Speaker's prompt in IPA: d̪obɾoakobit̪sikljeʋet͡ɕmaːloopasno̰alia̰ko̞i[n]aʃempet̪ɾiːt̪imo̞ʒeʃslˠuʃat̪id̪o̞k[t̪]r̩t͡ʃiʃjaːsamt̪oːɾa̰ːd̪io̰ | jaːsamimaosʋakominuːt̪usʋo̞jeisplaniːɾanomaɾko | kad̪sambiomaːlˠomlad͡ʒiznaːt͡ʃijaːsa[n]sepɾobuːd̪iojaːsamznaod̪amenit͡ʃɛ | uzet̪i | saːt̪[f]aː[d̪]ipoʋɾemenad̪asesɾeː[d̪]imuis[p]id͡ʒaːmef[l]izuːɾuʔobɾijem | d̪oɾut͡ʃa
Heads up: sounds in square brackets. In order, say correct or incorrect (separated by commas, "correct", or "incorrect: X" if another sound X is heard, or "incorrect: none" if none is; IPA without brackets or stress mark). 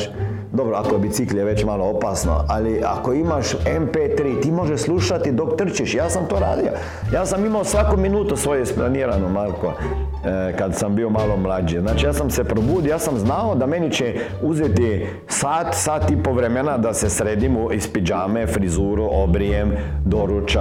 incorrect: m, correct, incorrect: m, incorrect: s, incorrect: t̪, correct, correct, incorrect: ɾ